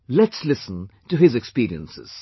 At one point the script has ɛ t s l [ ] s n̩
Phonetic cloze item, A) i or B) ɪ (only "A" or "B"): B